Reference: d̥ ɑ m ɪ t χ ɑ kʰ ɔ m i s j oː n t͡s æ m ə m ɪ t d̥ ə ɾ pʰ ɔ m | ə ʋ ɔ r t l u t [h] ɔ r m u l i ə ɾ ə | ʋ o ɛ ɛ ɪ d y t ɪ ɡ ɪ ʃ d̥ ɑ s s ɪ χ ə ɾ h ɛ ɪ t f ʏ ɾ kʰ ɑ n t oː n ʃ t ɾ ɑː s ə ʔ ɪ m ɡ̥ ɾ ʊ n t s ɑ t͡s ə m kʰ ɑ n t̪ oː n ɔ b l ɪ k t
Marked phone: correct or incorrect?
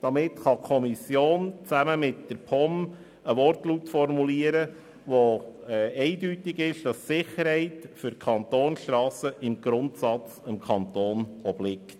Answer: incorrect